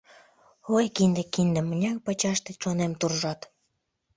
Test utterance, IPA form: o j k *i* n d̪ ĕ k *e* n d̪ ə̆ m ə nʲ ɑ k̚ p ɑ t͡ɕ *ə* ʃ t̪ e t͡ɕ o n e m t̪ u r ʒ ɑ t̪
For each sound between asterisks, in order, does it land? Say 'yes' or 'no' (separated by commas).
yes, no, no